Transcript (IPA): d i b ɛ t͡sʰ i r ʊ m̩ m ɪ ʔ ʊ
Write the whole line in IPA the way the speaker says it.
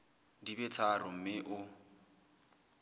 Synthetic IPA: d i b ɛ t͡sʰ a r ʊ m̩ m ɪ ʔ ʊ